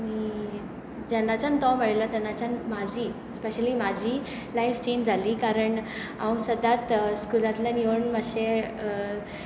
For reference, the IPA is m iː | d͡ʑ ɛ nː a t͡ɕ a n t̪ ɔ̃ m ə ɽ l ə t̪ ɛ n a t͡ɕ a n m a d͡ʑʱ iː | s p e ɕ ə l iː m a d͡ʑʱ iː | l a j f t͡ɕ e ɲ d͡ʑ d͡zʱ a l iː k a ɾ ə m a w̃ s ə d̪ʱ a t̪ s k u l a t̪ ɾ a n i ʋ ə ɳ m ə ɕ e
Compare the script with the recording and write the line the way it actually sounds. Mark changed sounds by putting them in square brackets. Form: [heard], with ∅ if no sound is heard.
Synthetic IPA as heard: m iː | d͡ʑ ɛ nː a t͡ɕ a n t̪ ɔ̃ m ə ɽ l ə t̪ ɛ n a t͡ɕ a n m a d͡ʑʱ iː | s p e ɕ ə l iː m a d͡ʑʱ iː | l a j f t͡ɕ e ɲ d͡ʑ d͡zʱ a l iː k a ɾ ə [ɳ] a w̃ s ə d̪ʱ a t̪ s k u l a t̪ [l] a n i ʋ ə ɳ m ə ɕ e